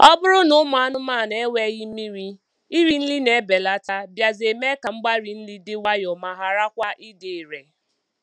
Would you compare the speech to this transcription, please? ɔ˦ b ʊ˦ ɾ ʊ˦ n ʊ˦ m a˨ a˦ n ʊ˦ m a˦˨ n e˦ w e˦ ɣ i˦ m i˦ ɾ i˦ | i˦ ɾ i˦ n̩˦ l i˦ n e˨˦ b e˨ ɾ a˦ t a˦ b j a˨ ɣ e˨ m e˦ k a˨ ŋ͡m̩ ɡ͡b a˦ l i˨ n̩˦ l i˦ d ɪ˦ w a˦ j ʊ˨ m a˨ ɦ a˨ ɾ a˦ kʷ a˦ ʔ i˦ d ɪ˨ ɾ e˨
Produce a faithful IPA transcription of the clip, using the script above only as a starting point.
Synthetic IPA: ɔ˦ b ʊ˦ ɾ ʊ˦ n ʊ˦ m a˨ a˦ n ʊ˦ m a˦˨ n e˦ w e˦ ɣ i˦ m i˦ ɾ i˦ | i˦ ɾ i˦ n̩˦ l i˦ n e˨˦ b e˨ l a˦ t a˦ b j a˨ z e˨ m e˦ k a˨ ŋ͡m̩ ɡ͡b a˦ ɾ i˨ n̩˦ l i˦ d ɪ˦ w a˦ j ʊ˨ m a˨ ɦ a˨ ɾ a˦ kʷ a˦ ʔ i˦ d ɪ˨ ɾ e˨